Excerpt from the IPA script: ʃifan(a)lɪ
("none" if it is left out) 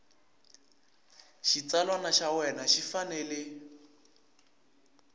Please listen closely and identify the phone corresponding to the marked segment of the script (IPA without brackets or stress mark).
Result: ɛ